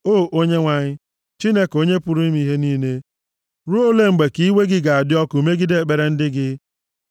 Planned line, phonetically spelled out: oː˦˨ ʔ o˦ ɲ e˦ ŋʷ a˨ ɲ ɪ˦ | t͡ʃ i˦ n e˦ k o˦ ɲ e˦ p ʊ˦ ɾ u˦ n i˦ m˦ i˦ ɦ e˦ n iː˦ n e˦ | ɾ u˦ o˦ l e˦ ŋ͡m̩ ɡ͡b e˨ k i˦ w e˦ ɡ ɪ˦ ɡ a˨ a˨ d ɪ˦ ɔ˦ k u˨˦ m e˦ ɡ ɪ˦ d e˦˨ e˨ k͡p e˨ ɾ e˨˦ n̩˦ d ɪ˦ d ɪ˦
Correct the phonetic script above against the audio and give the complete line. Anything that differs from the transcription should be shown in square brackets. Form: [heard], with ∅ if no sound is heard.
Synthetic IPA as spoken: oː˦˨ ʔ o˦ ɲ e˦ ŋʷ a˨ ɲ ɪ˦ | t͡ʃ i˦ n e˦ k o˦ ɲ e˦ p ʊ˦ ɾ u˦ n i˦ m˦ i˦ ɦ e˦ n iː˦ n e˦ | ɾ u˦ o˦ l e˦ ŋ͡m̩ ɡ͡b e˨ k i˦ w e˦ ɡ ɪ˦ ɡ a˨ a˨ d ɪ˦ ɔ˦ k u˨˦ m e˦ ɡ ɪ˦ d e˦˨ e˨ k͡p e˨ ɾ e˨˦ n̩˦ d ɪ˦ [ɡ] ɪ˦